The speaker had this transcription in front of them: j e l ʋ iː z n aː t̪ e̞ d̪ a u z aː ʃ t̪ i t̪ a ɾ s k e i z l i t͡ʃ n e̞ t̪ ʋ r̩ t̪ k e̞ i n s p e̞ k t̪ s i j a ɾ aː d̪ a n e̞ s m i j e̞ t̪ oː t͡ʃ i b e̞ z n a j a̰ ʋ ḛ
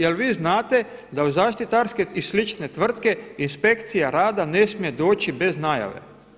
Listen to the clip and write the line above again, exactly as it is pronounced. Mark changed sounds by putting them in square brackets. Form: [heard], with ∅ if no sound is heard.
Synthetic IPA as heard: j e l ʋ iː z n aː t̪ e̞ d̪ a u z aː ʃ t̪ i t̪ a ɾ s k e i [s] l i t͡ʃ n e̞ t̪ ʋ r̩ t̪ k e̞ i n s p e̞ k t̪ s i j a ɾ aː d̪ a n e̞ s m i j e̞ [d̪] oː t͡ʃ i b e̞ z n a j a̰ ʋ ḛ